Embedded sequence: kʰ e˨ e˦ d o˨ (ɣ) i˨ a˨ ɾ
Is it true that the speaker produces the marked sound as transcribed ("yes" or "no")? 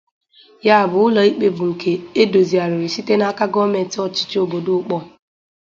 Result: no